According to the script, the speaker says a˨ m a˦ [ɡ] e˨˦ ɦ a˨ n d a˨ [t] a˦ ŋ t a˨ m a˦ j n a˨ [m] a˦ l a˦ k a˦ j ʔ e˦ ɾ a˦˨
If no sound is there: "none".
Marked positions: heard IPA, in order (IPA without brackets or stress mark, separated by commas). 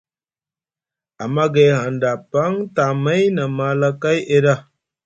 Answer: ɡ, p, m